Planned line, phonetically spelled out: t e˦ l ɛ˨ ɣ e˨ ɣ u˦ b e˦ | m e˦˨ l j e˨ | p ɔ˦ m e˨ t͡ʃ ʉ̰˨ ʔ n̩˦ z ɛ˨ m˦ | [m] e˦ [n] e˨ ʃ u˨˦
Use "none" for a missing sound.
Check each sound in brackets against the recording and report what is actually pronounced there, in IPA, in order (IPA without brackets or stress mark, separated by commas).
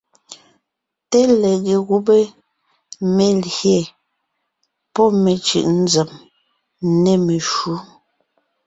n, m